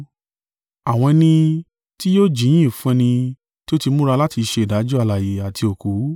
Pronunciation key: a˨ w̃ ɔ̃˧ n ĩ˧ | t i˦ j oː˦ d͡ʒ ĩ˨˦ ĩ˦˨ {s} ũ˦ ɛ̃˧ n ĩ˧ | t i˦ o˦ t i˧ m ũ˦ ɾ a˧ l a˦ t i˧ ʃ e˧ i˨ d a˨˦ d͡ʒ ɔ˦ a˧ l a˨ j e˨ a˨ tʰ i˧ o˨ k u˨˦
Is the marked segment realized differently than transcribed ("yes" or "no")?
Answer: yes